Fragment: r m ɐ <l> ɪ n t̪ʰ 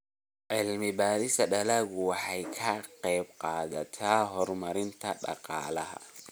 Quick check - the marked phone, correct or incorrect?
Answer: incorrect